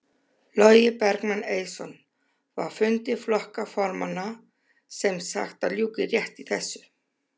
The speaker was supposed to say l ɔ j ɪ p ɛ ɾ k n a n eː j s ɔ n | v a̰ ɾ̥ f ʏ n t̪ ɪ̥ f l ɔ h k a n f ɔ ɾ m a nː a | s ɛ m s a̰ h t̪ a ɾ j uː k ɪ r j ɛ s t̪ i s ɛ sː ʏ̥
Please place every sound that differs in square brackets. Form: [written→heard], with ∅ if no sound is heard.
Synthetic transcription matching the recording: l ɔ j ɪ p ɛ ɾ k n a n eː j s ɔ n | v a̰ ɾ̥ f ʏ n t̪ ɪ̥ f l ɔ h k a [n→∅] f ɔ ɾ m a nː a | s ɛ m s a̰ [h→x] t̪ a [ɾ→l] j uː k ɪ r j ɛ [s→h] t̪ i [s→θ] ɛ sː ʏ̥